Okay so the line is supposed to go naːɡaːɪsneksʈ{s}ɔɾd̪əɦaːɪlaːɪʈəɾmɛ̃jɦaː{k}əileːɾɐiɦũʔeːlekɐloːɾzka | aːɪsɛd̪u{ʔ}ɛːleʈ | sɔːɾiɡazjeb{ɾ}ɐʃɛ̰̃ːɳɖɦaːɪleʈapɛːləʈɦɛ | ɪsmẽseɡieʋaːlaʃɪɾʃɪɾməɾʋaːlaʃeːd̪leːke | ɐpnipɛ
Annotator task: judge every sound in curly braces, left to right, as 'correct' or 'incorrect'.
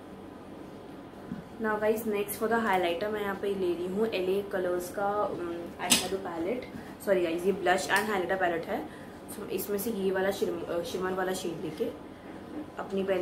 incorrect, incorrect, incorrect, incorrect

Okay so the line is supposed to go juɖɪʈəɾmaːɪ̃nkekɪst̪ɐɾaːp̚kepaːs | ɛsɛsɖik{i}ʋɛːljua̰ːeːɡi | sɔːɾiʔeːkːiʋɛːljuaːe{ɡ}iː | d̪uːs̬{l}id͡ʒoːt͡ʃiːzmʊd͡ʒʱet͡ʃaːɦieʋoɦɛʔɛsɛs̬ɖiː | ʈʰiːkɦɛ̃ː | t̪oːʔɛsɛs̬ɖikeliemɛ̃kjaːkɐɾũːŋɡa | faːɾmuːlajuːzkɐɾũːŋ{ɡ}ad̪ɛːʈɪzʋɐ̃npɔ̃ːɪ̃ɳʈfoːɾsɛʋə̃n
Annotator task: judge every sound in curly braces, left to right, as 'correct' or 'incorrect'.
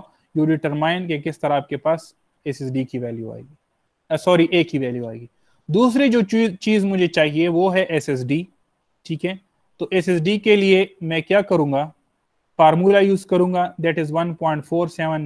correct, correct, incorrect, correct

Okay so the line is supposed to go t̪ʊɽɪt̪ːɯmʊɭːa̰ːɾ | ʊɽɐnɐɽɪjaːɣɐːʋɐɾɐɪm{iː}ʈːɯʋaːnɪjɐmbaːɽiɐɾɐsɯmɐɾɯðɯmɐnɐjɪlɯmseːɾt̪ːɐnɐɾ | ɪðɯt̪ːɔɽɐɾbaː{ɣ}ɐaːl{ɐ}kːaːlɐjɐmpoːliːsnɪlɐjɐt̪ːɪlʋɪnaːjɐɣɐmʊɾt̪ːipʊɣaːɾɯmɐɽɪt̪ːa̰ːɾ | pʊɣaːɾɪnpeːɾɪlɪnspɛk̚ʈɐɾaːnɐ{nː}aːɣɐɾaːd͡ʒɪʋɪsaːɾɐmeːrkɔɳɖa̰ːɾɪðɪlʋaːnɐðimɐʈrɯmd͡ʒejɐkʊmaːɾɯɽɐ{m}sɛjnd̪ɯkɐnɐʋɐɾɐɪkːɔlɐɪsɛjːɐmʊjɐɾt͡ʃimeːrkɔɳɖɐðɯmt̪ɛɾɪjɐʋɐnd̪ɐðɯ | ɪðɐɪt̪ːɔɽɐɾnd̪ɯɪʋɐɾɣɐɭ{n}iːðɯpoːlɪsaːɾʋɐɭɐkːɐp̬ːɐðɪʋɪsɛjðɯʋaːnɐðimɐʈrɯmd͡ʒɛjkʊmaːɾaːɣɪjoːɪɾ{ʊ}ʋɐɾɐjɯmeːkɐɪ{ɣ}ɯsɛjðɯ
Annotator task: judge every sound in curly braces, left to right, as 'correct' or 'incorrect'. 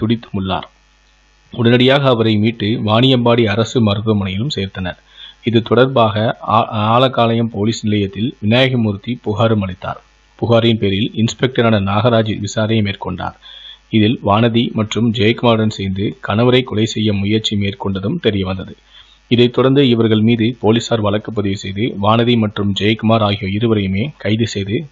correct, correct, correct, incorrect, incorrect, incorrect, incorrect, incorrect

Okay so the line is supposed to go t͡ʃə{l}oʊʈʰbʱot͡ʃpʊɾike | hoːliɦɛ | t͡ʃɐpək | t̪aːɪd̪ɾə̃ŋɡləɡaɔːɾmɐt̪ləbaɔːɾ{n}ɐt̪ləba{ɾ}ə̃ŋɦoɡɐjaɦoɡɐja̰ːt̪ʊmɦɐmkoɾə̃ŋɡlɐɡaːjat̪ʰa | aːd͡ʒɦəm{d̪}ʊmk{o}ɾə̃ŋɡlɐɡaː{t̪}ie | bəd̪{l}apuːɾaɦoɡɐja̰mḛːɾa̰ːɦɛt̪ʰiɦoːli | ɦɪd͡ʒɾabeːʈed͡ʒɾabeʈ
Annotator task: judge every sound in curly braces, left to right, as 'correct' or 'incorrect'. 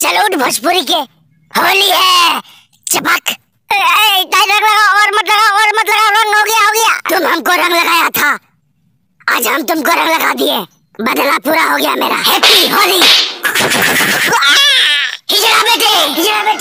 correct, incorrect, correct, incorrect, correct, incorrect, correct

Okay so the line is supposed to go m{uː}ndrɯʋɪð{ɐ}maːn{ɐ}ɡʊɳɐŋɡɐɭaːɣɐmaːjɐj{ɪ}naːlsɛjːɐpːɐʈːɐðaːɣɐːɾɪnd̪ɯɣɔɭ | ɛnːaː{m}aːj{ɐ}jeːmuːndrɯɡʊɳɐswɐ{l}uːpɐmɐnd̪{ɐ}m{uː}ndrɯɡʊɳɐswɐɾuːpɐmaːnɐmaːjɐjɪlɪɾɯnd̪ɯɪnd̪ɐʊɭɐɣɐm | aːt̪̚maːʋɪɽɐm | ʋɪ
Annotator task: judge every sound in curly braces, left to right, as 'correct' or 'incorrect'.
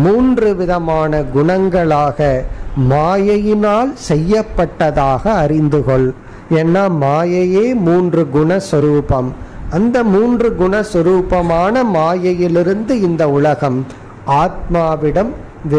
correct, correct, correct, correct, correct, correct, incorrect, correct, correct

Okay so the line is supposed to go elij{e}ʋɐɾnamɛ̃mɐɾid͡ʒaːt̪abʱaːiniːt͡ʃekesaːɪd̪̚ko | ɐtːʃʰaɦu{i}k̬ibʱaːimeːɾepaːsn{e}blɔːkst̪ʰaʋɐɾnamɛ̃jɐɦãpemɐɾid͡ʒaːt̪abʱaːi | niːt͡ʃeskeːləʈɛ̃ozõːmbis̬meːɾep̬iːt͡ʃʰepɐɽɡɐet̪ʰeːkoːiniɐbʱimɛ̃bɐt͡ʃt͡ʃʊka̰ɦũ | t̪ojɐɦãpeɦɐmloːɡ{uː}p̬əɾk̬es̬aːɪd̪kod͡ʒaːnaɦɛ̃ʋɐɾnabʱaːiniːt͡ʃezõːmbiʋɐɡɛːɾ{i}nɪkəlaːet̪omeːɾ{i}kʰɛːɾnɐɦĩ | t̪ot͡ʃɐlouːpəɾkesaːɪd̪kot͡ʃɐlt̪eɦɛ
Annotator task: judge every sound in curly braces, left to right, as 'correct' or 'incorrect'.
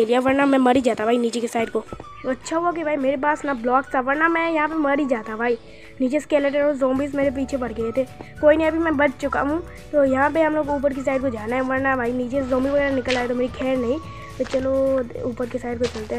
incorrect, incorrect, incorrect, correct, incorrect, correct

